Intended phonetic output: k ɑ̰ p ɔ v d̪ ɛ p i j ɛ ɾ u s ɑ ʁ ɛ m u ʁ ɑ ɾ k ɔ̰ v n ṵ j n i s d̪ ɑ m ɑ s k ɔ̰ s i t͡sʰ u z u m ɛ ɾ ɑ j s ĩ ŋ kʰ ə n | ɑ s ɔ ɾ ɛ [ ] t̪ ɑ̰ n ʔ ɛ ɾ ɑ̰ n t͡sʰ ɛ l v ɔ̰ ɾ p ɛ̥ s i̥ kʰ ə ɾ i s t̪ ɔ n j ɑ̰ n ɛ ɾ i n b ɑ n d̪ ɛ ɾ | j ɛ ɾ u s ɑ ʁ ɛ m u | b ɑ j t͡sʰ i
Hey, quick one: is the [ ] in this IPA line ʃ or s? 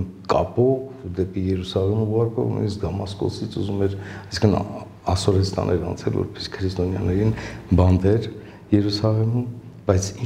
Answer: s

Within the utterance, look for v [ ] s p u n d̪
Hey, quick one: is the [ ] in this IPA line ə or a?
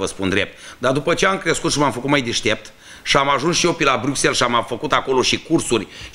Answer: ə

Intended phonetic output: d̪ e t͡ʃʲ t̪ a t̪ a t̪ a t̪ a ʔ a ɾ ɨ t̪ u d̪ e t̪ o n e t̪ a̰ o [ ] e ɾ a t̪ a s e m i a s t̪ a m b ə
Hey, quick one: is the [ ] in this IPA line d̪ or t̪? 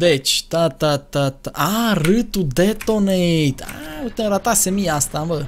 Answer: t̪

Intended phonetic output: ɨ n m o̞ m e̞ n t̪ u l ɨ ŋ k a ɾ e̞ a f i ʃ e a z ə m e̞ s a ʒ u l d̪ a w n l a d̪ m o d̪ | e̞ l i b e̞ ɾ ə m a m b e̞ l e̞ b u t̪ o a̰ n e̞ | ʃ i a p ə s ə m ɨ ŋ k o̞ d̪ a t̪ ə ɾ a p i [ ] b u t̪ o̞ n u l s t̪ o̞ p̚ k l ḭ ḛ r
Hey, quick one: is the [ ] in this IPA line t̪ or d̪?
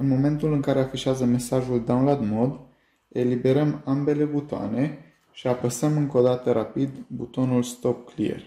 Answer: d̪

